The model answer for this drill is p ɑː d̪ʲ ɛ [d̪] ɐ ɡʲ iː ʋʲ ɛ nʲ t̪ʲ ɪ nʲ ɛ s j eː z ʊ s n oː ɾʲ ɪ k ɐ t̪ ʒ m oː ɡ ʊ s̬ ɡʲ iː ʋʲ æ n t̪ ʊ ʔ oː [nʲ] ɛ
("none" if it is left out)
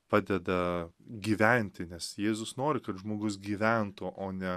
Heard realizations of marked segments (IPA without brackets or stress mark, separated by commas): d̪, nʲ